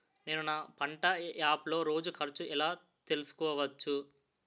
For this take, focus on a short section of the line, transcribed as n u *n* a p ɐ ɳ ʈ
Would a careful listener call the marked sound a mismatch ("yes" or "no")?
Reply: no